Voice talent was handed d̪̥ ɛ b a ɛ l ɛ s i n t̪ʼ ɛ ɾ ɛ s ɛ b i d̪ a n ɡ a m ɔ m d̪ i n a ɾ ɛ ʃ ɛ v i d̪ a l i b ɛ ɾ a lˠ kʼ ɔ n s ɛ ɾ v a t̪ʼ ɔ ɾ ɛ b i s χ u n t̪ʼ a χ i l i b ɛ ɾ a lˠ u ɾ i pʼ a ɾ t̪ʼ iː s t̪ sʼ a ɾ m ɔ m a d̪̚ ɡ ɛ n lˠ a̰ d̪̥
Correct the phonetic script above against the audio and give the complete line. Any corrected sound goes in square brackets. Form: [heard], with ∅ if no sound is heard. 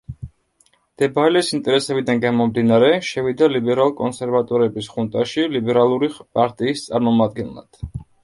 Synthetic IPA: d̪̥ ɛ b a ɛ l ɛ s i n t̪ʼ ɛ ɾ ɛ s ɛ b i d̪ a n ɡ a m ɔ m d̪ i n a ɾ ɛ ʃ ɛ v i d̪ a l i b ɛ ɾ a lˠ kʼ ɔ n s ɛ ɾ v a t̪ʼ ɔ ɾ ɛ b i s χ u n t̪ʼ a [ʃ] i l i b ɛ ɾ a lˠ u ɾ i pʼ a ɾ t̪ʼ iː s t̪ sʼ a ɾ m ɔ m a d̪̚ ɡ ɛ n lˠ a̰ d̪̥